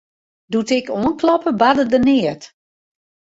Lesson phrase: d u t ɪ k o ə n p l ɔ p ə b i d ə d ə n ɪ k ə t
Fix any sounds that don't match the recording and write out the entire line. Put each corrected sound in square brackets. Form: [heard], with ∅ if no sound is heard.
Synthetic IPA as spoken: d u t ɪ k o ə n [k] l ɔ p ə b [a] d ə d ə n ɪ [∅] ə t

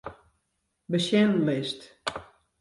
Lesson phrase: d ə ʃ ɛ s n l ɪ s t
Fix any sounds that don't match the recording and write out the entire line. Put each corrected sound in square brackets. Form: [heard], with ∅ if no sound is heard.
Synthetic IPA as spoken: [b] ə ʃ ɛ [∅] n l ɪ s t

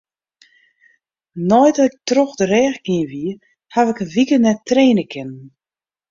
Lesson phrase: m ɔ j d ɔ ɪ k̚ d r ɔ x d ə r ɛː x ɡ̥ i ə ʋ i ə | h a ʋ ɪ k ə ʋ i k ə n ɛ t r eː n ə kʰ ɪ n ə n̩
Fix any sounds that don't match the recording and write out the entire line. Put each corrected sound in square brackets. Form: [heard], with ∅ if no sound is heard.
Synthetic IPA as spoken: [n] ɔ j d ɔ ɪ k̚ [t] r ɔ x d ə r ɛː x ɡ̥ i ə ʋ i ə | h a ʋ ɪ k ə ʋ i k ə n ɛ t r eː n ə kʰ ɪ n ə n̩

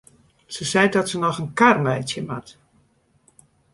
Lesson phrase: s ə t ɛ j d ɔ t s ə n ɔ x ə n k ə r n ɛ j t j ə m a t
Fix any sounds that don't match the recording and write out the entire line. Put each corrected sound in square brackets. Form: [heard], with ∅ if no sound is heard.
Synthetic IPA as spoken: s ə [s] ɛ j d ɔ t s ə n ɔ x ə n k [a] r [m] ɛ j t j ə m a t

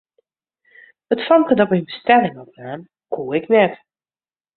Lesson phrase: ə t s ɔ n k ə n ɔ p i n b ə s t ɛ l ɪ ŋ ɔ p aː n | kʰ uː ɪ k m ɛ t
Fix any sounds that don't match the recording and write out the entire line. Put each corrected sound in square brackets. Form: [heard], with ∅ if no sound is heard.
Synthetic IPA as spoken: ə t [f] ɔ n k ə [d] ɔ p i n b ə s t ɛ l ɪ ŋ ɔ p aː n | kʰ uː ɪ k [n] ɛ t

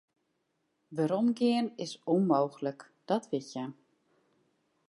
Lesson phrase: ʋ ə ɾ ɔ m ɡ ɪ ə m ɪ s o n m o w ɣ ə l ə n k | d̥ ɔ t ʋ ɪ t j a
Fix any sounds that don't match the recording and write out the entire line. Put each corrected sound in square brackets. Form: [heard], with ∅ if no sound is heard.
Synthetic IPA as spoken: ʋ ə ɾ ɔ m ɡ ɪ ə [n] ɪ s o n m o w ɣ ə l ə [∅] k | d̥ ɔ t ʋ ɪ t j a

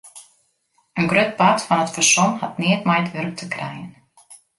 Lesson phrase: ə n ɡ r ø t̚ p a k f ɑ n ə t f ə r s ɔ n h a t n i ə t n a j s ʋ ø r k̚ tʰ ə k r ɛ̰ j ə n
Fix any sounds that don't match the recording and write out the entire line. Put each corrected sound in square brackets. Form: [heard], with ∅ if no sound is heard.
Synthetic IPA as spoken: ə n ɡ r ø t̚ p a [t] f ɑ n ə t f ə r s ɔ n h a t n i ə t [m] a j [t] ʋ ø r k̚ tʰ ə k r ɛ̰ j ə n

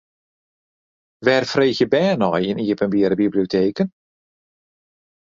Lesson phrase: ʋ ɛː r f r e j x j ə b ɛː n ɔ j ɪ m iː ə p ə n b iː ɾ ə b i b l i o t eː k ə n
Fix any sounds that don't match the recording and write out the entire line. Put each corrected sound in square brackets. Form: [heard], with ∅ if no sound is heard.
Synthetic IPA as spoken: ʋ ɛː r f r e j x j ə b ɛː n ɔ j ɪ [n] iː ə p ə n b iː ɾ ə b i b l i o t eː k ə n

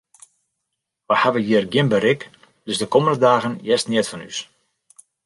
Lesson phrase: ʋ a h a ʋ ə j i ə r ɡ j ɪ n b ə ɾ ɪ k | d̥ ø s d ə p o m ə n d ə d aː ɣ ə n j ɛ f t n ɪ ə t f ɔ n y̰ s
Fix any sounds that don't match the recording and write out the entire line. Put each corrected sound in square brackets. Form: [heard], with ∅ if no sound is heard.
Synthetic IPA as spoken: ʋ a h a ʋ ə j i ə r ɡ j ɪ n b ə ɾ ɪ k | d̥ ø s d ə [k] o m ə n d ə d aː ɣ ə n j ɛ [s] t n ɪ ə t f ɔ n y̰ s

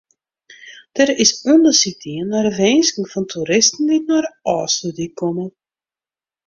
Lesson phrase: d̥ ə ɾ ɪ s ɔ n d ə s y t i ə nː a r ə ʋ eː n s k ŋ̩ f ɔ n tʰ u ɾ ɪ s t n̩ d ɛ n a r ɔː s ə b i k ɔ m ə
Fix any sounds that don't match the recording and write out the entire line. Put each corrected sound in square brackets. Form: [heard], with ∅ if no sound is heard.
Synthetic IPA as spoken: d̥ ə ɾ ɪ s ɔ n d ə s [i] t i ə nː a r ə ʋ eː n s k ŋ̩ f ɔ n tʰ u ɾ ɪ s t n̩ d [i] n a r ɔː s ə [d] i k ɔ m ə

